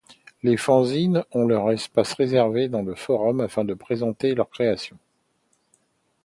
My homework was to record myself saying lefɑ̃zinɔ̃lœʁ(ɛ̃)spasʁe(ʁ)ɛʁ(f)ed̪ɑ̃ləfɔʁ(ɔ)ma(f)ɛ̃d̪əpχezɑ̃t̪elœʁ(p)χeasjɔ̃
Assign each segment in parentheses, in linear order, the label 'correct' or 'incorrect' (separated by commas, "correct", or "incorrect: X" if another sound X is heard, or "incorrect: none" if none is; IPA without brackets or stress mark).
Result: incorrect: ɛ, incorrect: z, incorrect: v, correct, correct, incorrect: k